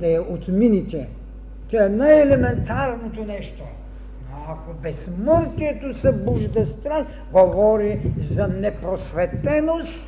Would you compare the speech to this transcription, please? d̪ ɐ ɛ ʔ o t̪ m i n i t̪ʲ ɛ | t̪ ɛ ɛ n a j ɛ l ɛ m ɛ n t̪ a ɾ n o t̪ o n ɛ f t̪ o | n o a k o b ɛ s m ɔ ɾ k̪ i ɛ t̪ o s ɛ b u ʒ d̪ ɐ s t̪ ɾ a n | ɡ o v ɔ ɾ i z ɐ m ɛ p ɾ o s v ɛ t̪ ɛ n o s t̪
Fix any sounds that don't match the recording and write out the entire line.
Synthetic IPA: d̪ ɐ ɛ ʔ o t̪ m i n i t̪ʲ ɛ | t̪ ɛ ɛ n a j ɛ l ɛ m ɛ n t̪ a ɾ n o t̪ o n ɛ ʃ t̪ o | n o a k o b ɛ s m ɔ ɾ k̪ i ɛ t̪ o s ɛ b u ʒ d̪ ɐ s t̪ ɾ a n | ɡ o v ɔ ɾ i z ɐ n ɛ p ɾ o s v ɛ t̪ ɛ n o s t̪